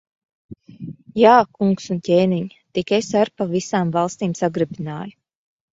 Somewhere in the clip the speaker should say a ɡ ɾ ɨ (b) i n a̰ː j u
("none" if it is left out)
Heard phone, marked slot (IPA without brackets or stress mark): b